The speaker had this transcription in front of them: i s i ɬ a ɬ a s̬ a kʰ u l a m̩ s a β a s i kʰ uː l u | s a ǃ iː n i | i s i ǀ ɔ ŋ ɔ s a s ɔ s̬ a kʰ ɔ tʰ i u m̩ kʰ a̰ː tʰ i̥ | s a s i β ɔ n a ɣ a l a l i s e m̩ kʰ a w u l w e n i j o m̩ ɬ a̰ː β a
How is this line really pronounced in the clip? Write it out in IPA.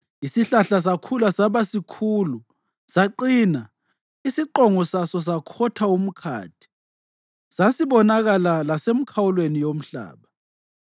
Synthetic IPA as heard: i s i ɬ a ɬ a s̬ a kʰ u l a s a β a s i kʰ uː l u | s a ǃ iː n a | i s i ǃ ɔ ŋ ɔ s a s ɔ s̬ a kʰ ɔ tʰ a u m̩ kʰ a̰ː tʰ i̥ | s a s i β ɔ n a ɣ a l a l a s e m̩ kʰ a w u l w e n i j o m̩ ɬ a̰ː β a